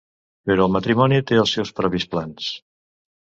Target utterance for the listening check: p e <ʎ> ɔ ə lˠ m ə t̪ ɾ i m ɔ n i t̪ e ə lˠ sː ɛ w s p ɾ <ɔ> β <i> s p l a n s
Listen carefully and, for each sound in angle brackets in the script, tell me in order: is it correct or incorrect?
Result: incorrect: ɾ, correct, correct

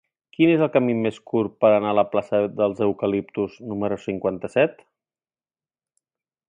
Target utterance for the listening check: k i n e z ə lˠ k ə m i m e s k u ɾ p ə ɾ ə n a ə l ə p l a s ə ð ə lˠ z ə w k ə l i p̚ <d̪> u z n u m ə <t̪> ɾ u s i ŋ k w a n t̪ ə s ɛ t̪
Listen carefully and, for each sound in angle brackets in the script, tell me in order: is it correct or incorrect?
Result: incorrect: t̪, incorrect: none

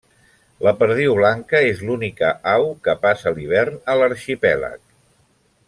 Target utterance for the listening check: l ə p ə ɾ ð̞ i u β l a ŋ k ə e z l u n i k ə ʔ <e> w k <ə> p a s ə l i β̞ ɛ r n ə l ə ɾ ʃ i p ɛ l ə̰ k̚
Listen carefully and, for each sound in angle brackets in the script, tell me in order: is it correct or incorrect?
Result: incorrect: a, correct

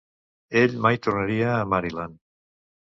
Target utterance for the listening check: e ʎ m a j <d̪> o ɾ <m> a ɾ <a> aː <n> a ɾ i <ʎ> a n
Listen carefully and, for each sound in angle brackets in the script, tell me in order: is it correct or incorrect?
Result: incorrect: t̪, incorrect: n, incorrect: i, incorrect: m, incorrect: l

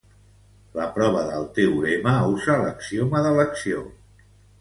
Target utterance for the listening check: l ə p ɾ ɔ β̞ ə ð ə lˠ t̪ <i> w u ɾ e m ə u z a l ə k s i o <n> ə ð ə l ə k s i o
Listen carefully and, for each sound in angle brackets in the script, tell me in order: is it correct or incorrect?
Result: incorrect: e, incorrect: m

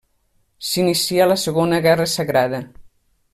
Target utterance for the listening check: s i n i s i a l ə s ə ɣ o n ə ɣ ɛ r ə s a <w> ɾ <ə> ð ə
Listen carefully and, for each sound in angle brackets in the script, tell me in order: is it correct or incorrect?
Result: incorrect: ɣ, incorrect: a

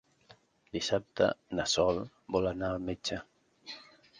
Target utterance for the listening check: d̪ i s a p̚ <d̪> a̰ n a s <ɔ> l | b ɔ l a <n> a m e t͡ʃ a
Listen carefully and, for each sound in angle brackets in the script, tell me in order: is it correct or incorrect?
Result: incorrect: t̪, correct, correct

